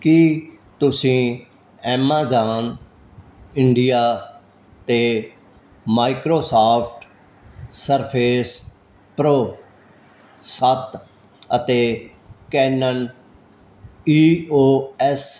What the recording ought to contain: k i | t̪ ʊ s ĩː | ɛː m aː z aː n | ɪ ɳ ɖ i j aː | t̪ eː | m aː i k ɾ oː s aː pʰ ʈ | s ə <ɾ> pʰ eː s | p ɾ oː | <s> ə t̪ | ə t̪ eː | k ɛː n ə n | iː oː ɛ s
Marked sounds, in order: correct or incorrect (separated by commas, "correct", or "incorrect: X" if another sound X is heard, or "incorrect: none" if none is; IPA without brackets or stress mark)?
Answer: correct, correct